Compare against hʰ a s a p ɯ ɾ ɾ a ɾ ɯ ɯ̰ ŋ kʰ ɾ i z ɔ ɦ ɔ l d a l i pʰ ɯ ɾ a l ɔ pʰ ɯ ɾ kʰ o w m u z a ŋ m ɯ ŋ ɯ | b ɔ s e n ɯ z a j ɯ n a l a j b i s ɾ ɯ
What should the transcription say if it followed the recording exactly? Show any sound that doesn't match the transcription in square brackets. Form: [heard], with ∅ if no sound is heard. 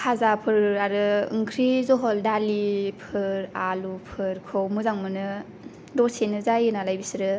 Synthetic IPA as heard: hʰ a [z] a [pʰ] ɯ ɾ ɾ a ɾ ɯ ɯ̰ ŋ kʰ ɾ i z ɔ ɦ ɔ l d a l i pʰ ɯ ɾ a l [u] pʰ ɯ ɾ kʰ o w m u z a ŋ m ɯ [n] ɯ | [d] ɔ s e n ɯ z a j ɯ n a l a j b i s ɾ ɯ